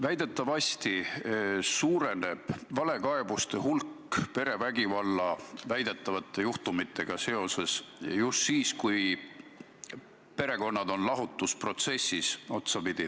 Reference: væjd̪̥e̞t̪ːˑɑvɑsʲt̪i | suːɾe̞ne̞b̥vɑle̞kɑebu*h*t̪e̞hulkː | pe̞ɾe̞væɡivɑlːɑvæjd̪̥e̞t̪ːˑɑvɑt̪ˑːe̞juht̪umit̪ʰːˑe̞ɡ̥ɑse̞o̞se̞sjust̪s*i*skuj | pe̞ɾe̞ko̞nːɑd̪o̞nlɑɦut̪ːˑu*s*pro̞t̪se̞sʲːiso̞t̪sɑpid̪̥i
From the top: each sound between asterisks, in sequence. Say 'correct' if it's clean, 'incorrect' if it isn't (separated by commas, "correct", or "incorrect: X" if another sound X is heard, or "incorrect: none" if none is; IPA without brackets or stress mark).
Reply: incorrect: s, incorrect: iː, correct